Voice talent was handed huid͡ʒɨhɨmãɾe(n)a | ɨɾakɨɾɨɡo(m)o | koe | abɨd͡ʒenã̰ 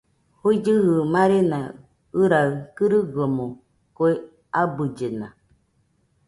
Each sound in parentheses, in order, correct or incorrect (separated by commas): correct, correct